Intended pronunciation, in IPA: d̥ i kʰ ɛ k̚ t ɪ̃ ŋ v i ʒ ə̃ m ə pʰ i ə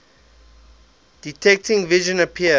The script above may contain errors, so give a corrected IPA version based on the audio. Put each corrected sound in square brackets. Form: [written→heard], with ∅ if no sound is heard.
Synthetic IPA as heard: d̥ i [kʰ→tʰ] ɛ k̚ t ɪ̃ ŋ v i ʒ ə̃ [m→n] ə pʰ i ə